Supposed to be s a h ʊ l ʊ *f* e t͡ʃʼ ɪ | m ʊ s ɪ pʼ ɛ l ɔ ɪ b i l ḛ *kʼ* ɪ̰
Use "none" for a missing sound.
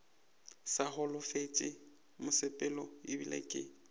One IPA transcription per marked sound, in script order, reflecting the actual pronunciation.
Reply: f, kʼ

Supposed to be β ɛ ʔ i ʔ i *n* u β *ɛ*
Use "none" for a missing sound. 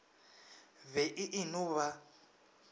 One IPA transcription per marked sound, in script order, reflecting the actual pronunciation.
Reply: n, a

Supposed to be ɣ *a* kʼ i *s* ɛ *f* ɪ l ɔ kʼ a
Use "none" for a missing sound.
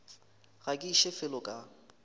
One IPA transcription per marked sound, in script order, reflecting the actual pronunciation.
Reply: a, ʃ, f

